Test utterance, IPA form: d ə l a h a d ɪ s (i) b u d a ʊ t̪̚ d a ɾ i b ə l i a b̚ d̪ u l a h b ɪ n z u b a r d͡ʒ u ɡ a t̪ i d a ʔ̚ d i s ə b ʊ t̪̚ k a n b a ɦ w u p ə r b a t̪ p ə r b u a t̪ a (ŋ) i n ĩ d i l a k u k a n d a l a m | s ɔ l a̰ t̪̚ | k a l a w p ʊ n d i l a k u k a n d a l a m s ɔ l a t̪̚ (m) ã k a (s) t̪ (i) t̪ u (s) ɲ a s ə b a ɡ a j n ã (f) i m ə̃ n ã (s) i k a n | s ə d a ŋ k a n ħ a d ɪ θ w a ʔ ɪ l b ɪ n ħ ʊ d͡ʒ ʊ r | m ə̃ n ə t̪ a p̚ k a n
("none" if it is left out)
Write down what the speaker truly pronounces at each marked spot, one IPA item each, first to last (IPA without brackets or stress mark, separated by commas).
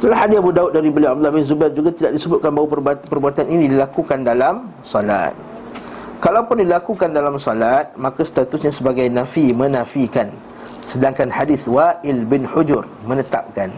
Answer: a, n, m, s, a, s, f, f